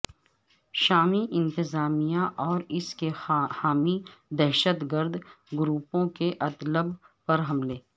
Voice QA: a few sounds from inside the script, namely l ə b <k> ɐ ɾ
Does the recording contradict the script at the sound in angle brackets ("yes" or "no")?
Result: yes